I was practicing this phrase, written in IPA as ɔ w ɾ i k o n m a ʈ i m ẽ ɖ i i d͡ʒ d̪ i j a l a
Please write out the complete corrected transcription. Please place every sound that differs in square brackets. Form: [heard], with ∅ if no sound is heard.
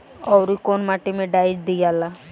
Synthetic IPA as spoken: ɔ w ɾ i k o n m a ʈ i m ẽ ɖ [a] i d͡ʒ d̪ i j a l a